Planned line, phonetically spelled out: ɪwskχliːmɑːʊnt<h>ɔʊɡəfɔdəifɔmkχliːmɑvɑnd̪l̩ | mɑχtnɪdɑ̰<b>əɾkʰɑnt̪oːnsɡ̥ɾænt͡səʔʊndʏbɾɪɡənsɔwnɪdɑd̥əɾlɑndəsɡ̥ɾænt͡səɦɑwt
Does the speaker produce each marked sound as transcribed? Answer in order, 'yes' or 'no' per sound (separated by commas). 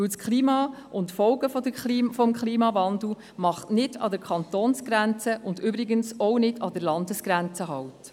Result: no, no